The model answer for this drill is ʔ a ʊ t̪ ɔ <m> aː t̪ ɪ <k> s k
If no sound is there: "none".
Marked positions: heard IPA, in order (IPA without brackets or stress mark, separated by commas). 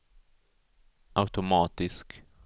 m, none